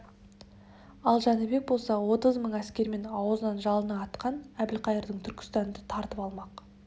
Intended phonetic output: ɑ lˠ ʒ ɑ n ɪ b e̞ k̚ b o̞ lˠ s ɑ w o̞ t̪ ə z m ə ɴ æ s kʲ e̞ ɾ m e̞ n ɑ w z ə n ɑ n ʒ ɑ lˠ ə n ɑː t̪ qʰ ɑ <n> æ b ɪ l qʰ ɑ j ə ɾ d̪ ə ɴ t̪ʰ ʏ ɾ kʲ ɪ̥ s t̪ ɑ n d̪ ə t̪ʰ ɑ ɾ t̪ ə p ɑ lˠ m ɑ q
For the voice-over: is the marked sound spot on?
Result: yes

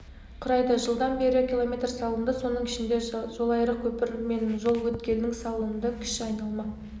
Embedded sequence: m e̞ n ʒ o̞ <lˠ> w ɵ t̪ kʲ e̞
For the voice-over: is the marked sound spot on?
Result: yes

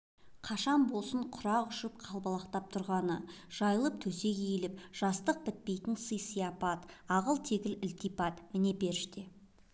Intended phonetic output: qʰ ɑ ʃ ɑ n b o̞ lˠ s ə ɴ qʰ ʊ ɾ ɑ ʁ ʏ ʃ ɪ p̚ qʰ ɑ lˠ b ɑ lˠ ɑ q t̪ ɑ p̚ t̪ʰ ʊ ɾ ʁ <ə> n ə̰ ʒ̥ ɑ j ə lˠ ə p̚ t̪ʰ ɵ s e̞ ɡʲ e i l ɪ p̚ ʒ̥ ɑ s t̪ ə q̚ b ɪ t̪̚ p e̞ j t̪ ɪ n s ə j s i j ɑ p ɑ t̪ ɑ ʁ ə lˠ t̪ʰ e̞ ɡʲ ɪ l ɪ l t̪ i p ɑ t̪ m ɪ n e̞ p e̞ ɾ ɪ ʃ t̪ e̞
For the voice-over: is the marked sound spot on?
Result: no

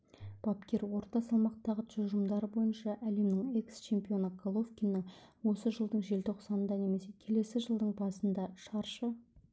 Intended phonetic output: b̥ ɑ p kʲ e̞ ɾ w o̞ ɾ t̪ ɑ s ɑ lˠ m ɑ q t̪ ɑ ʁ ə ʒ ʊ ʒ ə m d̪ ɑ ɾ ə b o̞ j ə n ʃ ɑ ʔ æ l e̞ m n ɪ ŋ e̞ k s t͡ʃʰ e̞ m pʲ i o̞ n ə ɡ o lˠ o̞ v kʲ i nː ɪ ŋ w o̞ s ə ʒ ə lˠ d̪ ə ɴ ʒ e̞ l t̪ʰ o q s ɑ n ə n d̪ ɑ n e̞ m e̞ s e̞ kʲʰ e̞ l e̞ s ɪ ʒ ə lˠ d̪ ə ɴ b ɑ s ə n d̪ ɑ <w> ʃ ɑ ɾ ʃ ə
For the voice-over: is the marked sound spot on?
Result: no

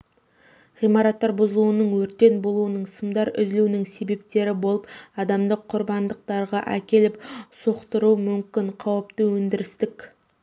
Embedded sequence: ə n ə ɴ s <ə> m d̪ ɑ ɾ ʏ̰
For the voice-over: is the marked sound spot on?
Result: yes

